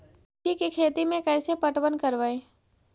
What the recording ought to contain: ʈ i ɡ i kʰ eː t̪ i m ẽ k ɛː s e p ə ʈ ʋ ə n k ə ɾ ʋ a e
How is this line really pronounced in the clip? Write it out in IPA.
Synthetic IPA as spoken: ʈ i k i kʰ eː t̪ i m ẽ k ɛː s e p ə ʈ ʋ ə n k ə ɾ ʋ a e